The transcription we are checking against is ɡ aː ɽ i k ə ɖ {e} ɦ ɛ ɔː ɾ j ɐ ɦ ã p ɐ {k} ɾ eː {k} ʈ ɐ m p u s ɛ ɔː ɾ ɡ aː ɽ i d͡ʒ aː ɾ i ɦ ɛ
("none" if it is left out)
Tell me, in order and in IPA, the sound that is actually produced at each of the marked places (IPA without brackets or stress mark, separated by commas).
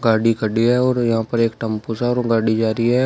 i, none, k